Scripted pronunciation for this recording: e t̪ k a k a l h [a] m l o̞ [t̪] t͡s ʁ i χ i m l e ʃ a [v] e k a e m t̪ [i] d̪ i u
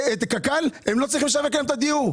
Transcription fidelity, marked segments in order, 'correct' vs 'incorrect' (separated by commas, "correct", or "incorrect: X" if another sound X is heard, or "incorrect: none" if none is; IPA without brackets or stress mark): incorrect: e, incorrect: none, correct, incorrect: a